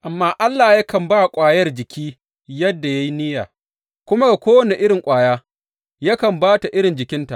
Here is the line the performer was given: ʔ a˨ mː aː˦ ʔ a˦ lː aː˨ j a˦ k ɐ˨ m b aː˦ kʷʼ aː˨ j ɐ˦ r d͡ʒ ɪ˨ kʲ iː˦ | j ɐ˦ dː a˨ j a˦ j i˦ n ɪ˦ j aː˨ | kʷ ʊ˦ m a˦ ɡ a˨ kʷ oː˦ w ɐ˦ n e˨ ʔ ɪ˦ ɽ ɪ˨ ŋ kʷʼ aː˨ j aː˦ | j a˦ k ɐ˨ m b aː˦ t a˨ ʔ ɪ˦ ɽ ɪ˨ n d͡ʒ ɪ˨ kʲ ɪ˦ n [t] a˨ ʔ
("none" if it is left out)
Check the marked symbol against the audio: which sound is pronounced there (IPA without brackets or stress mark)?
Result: t